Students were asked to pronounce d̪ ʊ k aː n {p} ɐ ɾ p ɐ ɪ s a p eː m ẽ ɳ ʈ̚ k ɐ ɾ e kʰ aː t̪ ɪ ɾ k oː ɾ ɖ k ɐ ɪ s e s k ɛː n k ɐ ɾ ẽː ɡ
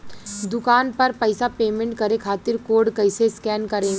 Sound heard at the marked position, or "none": p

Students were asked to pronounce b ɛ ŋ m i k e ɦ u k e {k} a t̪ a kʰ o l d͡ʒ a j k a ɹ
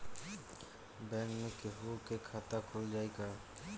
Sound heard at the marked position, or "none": kʰ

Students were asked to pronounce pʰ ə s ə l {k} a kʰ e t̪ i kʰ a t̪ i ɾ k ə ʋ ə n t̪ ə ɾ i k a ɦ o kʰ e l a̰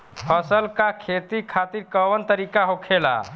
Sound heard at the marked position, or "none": k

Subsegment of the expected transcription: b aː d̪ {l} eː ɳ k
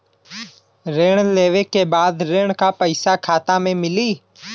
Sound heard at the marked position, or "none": ɾ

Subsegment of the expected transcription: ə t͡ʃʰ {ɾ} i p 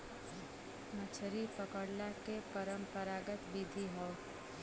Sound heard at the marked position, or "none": ɾ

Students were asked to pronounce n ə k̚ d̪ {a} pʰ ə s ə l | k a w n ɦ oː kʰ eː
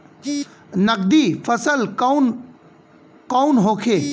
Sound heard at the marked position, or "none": i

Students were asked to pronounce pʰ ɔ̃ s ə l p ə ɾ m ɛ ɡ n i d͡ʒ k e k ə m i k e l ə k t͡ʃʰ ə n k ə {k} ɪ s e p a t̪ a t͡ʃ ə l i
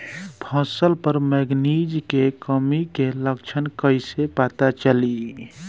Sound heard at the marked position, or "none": none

